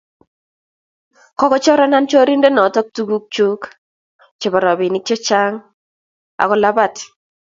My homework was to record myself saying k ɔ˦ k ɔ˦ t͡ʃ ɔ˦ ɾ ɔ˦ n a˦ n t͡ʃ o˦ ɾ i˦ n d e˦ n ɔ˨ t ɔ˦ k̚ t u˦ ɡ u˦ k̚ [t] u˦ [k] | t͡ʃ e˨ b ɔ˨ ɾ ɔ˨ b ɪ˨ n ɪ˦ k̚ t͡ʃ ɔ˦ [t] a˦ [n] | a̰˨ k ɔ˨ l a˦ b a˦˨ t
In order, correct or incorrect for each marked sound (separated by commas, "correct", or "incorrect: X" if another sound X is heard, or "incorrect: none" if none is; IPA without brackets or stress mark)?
incorrect: t͡ʃ, correct, incorrect: t͡ʃ, incorrect: ŋ